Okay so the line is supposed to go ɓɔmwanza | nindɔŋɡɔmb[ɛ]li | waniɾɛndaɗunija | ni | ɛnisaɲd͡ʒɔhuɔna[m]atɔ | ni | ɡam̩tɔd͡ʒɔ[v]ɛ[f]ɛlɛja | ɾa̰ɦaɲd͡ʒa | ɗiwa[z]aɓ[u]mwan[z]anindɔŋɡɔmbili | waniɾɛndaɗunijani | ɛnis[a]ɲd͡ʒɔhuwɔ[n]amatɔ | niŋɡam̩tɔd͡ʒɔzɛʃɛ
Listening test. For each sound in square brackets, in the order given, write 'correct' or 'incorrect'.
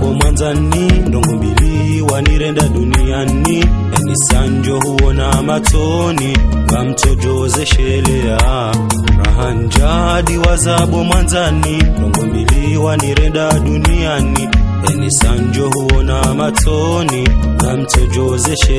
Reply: incorrect, correct, incorrect, incorrect, correct, incorrect, correct, correct, correct

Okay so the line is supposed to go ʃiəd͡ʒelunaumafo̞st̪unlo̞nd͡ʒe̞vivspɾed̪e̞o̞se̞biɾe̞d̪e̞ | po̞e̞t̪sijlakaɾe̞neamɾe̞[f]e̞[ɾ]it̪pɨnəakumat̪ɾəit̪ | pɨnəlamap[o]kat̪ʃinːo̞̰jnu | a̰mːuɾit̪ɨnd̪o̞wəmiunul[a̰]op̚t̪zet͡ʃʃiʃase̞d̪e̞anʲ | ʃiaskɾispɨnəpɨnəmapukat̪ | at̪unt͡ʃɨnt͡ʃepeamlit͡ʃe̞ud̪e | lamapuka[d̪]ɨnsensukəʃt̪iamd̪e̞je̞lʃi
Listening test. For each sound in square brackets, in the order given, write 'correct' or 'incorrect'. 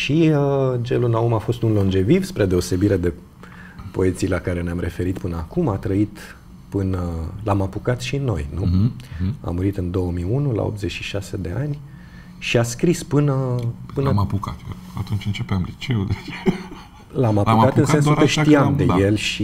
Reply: correct, correct, incorrect, correct, incorrect

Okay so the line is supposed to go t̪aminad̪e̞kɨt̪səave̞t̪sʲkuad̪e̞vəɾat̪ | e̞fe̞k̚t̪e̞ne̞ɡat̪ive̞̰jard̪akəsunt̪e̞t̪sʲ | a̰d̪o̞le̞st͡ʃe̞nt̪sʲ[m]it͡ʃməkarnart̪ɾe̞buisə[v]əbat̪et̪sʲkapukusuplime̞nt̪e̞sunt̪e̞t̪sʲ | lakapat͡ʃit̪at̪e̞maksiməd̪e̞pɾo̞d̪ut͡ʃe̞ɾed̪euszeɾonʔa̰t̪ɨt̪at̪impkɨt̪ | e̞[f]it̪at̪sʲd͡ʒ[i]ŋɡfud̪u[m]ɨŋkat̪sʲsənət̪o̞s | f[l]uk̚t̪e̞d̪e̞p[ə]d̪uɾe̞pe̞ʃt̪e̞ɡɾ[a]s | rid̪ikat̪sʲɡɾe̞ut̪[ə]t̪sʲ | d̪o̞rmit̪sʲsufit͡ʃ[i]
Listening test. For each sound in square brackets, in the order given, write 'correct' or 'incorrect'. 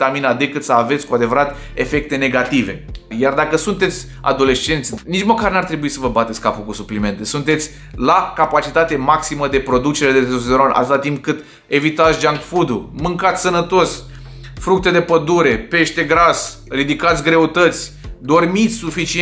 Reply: incorrect, correct, incorrect, incorrect, correct, incorrect, correct, correct, correct, correct

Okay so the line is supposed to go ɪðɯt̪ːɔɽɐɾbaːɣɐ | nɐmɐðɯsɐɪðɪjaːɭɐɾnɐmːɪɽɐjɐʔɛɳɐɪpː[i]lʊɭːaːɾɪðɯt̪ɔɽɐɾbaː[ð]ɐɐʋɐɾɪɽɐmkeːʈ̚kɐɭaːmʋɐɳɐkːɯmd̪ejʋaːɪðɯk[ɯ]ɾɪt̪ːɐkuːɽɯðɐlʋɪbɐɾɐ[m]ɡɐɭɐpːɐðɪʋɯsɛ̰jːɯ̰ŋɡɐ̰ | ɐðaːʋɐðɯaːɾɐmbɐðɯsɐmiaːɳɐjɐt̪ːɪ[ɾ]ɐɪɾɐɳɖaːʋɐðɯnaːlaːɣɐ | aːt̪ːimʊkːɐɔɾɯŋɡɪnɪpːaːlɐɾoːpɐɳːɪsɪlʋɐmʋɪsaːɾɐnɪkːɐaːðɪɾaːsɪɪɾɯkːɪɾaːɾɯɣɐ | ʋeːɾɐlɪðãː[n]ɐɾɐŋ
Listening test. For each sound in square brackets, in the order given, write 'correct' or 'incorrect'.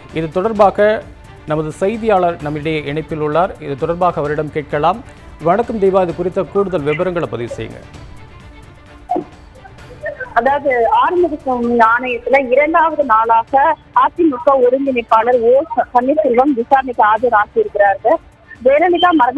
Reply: incorrect, incorrect, incorrect, incorrect, incorrect, incorrect

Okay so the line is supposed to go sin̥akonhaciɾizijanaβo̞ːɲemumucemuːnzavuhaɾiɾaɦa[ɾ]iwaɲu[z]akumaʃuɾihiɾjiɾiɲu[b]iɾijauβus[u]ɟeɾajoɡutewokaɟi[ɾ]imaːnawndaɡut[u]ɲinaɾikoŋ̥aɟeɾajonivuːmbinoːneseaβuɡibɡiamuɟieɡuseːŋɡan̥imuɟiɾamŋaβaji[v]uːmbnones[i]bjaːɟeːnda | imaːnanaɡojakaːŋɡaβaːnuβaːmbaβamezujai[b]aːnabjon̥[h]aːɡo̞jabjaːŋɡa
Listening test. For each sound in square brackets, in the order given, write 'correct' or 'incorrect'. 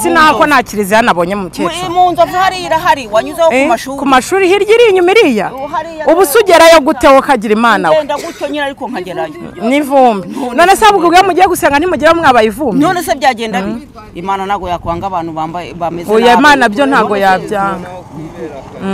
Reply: correct, correct, incorrect, correct, correct, incorrect, correct, incorrect, incorrect, correct

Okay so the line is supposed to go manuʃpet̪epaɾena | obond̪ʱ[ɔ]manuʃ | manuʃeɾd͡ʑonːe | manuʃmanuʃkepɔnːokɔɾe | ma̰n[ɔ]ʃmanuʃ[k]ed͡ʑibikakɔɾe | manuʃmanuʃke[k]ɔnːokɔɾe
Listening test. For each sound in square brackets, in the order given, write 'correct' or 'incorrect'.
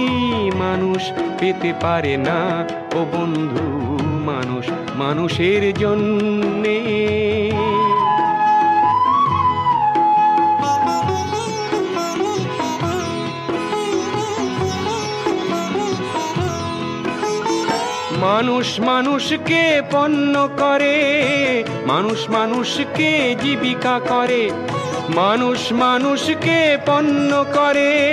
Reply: incorrect, incorrect, correct, incorrect

